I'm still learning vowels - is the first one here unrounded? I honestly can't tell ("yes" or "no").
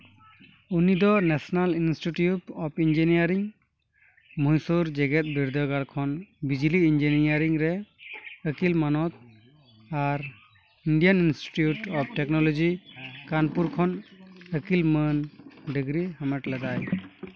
no